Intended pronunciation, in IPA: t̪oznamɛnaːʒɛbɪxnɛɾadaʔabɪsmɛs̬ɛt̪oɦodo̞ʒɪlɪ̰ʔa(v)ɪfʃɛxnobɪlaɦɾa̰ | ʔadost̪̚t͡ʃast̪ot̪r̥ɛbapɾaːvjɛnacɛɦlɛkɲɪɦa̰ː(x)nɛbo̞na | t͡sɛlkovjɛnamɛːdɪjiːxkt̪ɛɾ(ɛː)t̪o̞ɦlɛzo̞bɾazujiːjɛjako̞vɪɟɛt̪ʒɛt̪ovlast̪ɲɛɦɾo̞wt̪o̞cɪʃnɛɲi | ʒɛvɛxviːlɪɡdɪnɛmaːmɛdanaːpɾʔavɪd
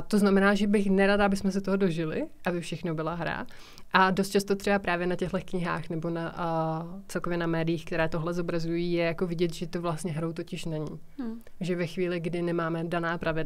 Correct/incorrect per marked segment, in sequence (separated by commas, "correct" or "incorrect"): incorrect, correct, correct